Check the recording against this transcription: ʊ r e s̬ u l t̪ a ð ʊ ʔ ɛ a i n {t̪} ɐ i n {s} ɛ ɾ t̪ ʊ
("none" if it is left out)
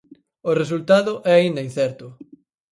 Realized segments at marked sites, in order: d̪, θ

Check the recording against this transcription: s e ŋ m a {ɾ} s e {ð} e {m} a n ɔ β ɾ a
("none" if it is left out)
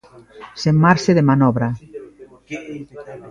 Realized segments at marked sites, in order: ɾ, ð, m

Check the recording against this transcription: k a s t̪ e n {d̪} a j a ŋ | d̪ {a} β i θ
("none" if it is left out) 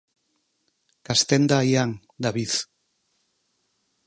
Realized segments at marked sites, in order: d̪, a

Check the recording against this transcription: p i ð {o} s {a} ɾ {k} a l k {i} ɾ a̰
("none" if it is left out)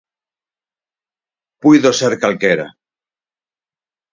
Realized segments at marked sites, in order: o, e, k, e

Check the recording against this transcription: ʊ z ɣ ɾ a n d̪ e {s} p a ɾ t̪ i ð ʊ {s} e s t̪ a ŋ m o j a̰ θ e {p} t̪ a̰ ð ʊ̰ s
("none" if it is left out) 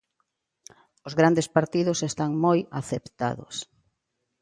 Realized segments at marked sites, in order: s, s, p

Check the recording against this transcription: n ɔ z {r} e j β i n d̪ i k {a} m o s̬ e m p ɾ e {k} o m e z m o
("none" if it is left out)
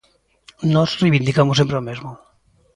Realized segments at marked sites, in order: r, a, none

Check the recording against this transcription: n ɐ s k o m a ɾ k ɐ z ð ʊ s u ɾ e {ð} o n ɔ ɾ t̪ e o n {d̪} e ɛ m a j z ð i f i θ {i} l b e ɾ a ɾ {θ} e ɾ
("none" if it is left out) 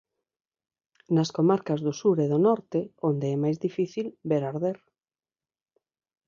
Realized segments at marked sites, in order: ð, d̪, i, ð

